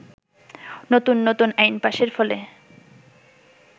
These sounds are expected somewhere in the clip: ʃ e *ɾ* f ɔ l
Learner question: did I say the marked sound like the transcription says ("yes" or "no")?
yes